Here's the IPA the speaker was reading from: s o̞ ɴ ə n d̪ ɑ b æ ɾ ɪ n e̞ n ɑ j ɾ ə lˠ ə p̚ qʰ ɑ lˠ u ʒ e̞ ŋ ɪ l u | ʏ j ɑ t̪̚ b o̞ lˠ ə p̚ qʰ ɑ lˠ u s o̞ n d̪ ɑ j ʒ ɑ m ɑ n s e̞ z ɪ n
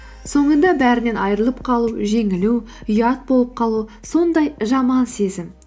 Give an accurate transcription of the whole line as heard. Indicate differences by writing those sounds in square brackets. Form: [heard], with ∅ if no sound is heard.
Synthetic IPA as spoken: s o̞ ɴ ə n d̪ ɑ b æ ɾ ɪ n e̞ n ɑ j ɾ ə lˠ ə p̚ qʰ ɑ lˠ u ʒ e̞ ŋ ɪ l u | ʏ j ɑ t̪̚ b o̞ lˠ ə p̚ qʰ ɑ lˠ u s o̞ n d̪ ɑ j ʒ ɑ m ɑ n s e̞ z ɪ [m]